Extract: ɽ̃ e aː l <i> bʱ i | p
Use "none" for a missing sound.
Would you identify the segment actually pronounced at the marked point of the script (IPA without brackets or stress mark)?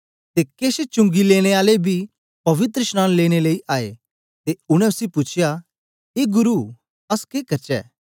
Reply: e